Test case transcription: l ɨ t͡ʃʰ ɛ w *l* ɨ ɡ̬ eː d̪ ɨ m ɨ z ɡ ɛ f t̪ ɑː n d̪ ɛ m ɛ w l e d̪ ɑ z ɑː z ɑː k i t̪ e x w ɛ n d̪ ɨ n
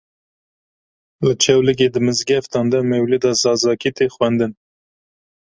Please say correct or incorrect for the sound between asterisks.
correct